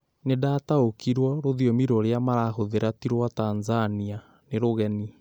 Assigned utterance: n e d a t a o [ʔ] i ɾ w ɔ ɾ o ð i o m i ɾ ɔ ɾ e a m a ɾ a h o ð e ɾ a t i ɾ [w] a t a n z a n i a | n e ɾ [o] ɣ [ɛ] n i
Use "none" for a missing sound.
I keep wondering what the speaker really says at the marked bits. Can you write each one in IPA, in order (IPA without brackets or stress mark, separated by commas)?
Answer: k, w, o, ɛ